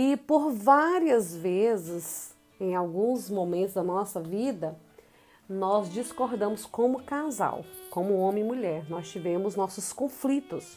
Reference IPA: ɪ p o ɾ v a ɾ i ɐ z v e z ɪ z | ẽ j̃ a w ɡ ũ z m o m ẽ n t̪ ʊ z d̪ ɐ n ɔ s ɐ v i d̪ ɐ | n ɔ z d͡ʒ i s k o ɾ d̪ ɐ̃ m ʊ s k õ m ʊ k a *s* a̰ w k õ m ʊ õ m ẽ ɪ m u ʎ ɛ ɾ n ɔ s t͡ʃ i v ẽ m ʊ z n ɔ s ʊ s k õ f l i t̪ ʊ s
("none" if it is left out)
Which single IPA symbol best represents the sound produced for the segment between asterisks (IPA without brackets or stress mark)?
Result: z